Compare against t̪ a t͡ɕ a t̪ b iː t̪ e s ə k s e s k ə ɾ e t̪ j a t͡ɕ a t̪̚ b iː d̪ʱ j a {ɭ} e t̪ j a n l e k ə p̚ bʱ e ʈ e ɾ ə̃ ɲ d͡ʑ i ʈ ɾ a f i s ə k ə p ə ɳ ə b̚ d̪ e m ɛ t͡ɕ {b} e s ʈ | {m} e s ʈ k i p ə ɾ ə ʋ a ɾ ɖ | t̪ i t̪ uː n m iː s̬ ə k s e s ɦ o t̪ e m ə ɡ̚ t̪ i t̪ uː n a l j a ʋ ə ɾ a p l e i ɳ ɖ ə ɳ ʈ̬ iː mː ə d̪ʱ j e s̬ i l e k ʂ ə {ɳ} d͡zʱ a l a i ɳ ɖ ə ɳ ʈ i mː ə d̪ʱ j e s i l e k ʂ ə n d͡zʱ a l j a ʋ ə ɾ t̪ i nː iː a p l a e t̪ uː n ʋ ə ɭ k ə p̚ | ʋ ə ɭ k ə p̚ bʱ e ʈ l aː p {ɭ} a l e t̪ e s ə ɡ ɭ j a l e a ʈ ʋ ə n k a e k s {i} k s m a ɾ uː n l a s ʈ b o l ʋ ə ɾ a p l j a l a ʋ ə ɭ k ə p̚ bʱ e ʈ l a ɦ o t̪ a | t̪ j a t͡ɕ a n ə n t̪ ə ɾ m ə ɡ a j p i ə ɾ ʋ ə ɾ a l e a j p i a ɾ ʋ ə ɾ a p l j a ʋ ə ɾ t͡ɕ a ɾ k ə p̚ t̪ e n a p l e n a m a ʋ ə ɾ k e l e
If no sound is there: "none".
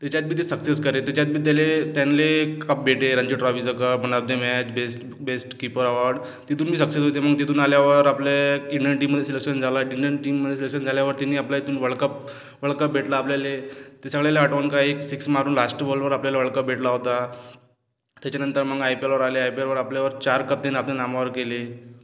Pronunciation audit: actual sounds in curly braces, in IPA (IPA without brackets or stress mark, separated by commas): l, b, b, n, l, i